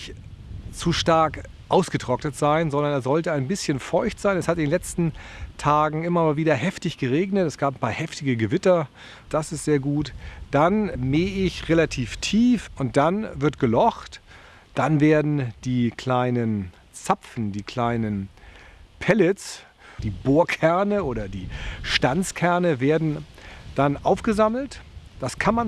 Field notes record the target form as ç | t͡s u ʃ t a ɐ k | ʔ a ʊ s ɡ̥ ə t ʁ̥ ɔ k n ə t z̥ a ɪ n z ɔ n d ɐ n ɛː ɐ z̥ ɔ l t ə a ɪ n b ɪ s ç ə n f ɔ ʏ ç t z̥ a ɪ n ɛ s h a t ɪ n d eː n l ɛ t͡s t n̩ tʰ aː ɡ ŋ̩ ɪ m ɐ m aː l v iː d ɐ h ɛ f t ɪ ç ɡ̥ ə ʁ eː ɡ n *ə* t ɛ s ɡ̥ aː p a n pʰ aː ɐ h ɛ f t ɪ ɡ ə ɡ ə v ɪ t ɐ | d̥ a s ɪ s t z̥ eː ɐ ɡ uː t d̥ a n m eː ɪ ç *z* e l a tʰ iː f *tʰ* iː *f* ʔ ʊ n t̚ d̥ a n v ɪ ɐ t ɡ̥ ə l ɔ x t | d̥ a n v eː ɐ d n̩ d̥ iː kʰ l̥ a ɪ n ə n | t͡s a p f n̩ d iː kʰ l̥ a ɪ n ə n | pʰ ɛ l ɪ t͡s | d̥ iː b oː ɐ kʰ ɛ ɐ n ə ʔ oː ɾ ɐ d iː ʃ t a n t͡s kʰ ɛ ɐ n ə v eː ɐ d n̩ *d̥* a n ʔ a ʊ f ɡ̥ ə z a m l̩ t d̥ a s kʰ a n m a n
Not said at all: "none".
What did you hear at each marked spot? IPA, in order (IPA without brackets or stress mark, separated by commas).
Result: ə, ʁ, tʰ, f, d̥